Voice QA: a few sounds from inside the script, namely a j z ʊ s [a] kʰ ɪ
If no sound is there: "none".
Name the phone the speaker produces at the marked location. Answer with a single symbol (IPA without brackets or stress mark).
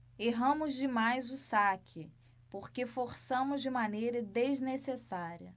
a